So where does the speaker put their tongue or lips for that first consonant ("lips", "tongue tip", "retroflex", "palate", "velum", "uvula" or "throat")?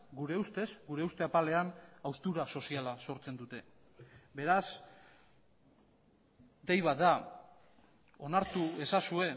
velum